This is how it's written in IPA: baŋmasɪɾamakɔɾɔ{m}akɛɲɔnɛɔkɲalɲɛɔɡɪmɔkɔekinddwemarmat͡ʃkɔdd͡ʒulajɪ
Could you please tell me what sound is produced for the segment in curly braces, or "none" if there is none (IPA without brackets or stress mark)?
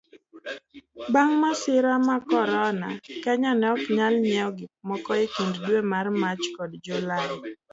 n